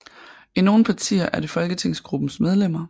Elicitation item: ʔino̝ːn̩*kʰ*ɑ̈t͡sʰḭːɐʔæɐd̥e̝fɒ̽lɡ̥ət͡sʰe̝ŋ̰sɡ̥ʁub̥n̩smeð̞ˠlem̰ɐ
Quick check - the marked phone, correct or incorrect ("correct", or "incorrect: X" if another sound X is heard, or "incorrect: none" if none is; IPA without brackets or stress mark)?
incorrect: pʰ